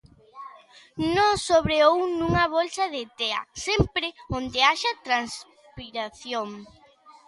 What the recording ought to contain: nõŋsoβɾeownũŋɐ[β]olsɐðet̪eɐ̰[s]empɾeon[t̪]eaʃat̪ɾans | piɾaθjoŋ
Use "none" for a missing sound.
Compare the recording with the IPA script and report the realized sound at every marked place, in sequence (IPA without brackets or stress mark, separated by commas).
β, s, d̪